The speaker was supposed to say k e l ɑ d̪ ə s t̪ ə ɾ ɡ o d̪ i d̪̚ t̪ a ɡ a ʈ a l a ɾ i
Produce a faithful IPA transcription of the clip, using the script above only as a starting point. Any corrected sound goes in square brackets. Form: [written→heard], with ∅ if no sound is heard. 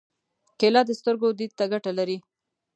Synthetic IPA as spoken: k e l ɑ d̪ ə s t̪ ə ɾ ɡ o d̪ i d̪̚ t̪ a ɡ a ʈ a l a ɾ i